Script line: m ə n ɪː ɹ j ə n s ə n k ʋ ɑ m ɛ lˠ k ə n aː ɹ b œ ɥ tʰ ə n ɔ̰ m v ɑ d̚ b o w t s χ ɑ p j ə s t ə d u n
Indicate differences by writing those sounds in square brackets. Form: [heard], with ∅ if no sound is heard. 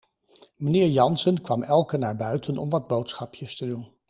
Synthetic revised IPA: m ə n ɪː ɹ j [ɑ] n s ə n k ʋ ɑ m ɛ lˠ k ə n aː ɹ b œ ɥ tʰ ə n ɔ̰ m [ʋ] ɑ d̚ b o w t s χ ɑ p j ə s t ə d u n

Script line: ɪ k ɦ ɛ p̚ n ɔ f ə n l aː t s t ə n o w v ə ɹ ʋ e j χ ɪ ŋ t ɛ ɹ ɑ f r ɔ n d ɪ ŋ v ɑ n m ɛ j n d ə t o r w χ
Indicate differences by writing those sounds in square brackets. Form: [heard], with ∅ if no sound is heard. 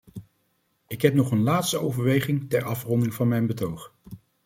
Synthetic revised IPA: ɪ k ɦ ɛ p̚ n ɔ [χ] ə n l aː t s t ə [∅] o w v ə ɹ ʋ e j χ ɪ ŋ t ɛ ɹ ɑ f r ɔ n d ɪ ŋ v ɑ n m ɛ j n [b] ə t o [∅] w χ

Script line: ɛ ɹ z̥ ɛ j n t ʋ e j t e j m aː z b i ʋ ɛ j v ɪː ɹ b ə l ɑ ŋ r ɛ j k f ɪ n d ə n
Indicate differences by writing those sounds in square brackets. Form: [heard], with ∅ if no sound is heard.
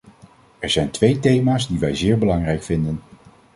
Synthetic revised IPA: ɛ ɹ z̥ ɛ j n t ʋ e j t e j m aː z [d] i ʋ ɛ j [z] ɪː ɹ b ə l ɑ ŋ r ɛ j k f ɪ n d ə n

